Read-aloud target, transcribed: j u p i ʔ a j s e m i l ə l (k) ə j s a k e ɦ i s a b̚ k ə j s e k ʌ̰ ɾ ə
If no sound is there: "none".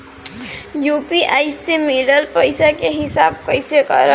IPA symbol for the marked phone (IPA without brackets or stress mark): p